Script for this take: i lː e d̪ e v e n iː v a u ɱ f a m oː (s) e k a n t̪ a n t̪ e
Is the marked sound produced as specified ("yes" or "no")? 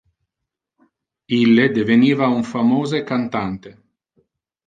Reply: no